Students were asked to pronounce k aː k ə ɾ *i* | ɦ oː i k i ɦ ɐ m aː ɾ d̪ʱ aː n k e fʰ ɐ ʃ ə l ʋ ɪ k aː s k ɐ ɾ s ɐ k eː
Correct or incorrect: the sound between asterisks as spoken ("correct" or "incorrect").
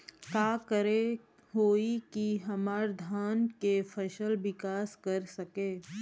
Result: incorrect